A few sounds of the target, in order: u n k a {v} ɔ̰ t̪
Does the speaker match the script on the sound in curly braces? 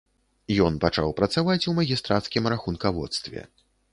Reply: yes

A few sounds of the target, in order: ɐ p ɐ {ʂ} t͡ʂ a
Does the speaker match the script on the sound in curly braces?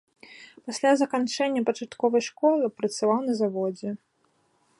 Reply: no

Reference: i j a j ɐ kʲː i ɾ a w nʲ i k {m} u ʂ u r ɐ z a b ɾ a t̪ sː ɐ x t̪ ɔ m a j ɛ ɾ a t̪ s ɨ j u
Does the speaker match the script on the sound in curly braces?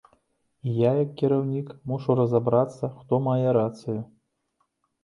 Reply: yes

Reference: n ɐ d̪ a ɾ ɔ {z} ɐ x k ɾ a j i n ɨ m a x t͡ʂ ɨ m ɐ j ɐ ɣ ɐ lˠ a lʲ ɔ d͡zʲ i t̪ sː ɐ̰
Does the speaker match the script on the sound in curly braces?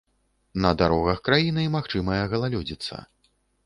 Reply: no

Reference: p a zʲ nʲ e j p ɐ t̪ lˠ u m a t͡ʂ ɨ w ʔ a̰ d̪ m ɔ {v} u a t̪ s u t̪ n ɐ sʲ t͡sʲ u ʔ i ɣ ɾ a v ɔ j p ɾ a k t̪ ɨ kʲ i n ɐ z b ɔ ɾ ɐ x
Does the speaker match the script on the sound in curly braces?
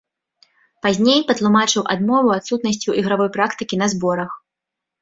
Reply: yes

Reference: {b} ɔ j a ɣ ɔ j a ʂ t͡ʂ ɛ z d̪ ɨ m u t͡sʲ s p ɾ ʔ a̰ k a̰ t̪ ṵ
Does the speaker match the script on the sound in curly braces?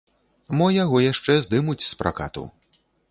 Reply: no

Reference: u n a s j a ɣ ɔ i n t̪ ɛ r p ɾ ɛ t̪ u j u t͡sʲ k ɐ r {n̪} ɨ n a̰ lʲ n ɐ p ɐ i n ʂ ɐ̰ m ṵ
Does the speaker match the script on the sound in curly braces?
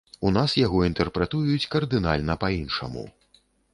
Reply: no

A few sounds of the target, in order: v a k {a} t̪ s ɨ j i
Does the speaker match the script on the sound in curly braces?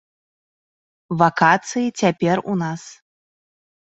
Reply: yes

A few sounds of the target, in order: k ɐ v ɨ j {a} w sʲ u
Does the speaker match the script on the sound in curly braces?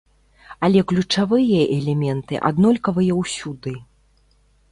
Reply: no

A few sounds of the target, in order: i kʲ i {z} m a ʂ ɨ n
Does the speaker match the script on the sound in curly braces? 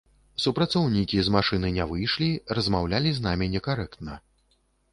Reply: yes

